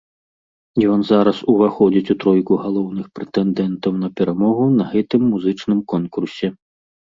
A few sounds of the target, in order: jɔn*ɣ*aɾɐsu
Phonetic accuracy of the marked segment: incorrect: z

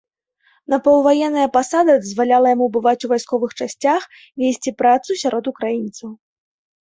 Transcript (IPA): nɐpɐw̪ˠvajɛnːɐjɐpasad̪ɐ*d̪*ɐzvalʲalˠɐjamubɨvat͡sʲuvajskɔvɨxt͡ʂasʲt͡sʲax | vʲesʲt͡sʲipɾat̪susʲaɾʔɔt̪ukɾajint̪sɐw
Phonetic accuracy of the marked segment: correct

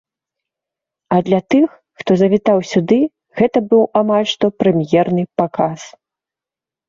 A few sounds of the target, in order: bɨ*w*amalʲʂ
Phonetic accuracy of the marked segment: correct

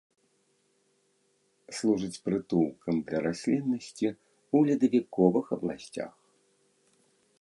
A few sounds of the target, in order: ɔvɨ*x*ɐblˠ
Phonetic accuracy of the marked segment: correct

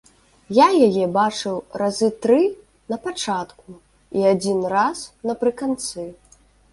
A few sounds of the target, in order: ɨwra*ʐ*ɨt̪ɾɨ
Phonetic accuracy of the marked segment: incorrect: z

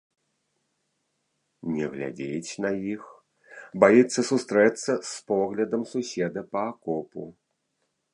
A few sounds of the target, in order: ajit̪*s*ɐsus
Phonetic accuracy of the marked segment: incorrect: sː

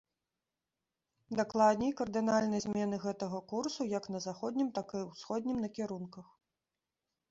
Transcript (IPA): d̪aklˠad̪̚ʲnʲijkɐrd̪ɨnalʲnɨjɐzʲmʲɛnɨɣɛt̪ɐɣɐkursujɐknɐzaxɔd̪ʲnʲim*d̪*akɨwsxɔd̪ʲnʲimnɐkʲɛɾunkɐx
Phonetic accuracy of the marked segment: incorrect: t̪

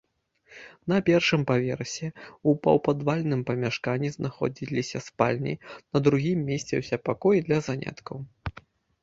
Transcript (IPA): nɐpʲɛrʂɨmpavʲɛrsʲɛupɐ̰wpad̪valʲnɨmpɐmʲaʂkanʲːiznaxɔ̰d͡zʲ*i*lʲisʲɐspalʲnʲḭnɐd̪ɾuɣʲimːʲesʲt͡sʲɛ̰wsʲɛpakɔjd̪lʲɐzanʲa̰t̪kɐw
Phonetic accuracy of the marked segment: correct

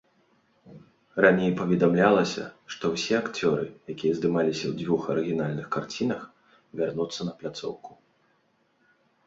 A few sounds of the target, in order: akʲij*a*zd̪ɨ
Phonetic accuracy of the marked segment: incorrect: ɐ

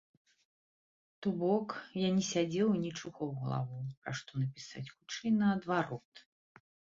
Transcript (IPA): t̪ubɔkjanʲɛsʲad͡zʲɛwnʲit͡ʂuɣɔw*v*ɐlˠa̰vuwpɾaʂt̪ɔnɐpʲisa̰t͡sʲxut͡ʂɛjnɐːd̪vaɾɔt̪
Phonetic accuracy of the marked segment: incorrect: ɣ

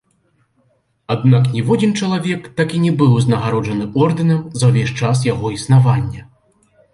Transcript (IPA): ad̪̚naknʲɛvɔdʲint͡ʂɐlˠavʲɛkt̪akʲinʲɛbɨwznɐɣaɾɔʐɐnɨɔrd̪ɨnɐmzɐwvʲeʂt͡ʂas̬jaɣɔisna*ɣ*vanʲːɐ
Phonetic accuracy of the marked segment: incorrect: none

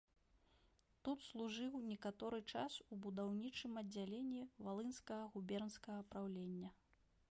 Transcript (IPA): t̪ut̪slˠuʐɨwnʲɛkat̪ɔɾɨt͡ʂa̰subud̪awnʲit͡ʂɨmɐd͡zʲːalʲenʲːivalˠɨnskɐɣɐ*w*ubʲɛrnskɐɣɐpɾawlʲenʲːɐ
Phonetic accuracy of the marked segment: incorrect: ɣ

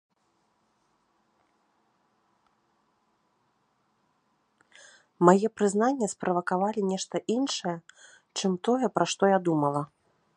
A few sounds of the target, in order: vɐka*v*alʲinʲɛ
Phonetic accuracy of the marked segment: correct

